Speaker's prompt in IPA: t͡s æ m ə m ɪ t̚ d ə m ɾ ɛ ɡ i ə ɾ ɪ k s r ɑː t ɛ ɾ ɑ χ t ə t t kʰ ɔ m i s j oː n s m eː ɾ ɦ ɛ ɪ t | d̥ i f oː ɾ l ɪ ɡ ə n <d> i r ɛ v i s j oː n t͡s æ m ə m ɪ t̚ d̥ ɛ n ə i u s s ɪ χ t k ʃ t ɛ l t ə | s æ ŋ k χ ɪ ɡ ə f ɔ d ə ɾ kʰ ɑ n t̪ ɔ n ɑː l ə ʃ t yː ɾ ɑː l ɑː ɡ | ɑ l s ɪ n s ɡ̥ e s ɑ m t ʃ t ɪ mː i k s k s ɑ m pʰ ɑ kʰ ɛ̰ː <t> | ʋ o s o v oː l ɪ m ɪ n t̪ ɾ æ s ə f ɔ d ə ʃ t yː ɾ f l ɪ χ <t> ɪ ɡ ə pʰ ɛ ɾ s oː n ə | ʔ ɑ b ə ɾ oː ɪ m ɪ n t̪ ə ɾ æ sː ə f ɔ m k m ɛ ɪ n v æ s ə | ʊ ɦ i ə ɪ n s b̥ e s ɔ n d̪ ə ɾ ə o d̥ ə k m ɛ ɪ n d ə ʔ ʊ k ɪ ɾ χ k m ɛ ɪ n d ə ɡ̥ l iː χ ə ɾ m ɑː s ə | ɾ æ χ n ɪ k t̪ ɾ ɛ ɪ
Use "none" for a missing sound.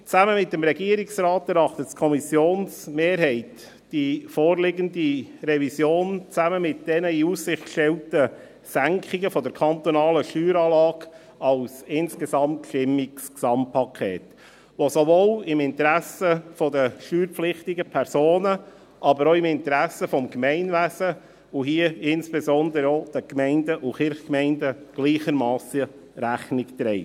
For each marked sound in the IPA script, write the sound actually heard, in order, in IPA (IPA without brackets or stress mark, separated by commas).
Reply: d, t, t